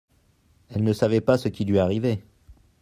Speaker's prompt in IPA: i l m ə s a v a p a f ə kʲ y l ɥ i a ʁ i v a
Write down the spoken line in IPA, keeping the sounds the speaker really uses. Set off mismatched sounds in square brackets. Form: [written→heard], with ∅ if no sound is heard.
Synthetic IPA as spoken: [i→ɛ] l [m→n] ə s a v [a→ɛ] p a [f→s] ə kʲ [y→i] l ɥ i a ʁ i v [a→e]